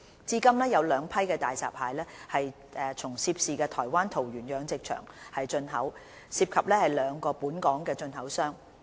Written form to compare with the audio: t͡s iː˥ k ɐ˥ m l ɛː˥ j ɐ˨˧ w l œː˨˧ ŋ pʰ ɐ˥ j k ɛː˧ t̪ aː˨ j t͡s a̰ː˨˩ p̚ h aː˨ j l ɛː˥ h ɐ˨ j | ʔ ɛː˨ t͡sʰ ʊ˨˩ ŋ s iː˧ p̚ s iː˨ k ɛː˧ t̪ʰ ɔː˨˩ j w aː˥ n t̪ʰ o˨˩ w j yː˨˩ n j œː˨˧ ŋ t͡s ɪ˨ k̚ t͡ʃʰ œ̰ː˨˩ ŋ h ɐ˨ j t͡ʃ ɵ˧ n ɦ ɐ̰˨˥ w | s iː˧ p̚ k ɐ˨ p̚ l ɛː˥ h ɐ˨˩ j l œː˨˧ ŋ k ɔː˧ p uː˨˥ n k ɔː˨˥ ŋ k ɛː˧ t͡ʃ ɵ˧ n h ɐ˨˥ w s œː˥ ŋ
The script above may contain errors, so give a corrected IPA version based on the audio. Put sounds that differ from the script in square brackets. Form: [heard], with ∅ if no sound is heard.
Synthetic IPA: t͡s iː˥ k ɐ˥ m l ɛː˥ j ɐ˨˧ w l œː˨˧ ŋ pʰ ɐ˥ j k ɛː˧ t̪ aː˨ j t͡s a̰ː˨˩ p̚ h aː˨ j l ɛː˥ h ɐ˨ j | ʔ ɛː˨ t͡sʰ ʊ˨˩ ŋ s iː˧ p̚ s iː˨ k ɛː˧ t̪ʰ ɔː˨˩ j w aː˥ n t̪ʰ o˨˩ w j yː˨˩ n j œː˨˧ ŋ t͡s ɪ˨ k̚ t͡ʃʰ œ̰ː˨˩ ŋ h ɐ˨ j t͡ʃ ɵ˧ n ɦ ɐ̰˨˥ w | s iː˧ p̚ [kʰ] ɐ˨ p̚ l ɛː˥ h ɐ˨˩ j l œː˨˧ ŋ k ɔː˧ p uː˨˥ n k ɔː˨˥ ŋ k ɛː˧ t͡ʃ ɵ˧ n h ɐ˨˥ w s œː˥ ŋ